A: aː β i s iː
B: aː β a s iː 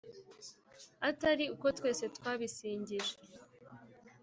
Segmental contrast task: A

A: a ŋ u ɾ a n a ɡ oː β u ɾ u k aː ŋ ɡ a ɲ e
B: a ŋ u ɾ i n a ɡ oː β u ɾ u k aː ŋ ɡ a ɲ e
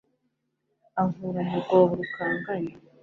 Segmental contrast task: A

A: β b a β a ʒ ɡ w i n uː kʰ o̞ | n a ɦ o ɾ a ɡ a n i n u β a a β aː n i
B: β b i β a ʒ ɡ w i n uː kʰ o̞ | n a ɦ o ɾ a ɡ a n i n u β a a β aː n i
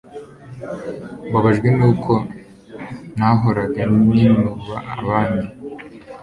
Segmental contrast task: A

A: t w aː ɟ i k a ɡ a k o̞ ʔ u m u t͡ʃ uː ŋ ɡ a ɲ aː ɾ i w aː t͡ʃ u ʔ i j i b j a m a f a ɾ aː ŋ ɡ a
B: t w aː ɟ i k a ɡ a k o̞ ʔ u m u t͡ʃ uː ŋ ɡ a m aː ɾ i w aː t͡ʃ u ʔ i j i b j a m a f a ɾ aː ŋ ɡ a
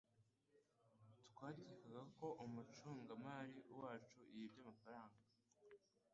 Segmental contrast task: B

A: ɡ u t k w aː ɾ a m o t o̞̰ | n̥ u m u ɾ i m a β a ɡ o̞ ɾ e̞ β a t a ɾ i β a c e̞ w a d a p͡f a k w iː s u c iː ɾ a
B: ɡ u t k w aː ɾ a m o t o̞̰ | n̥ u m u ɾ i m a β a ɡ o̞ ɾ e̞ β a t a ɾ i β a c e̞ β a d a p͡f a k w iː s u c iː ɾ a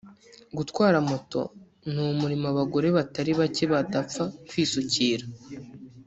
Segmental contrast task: B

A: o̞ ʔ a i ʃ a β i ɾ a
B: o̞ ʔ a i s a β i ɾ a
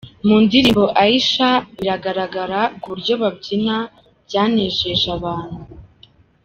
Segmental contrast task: A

